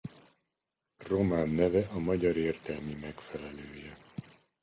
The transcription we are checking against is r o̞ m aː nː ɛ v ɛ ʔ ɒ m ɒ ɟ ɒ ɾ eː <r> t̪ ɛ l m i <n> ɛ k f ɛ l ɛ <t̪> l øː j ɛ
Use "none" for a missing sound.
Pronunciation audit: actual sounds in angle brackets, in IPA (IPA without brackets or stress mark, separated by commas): r, m, none